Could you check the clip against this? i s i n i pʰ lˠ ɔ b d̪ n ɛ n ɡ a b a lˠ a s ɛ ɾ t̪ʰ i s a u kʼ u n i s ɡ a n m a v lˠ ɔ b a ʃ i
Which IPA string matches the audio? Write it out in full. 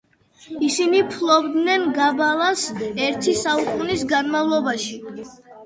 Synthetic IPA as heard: i s i n i pʰ lˠ ɔ b d̪ n ɛ n ɡ a b a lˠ a s ɛ ɾ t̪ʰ i s a u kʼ u n i s ɡ a n m a v lˠ ɔ b a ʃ i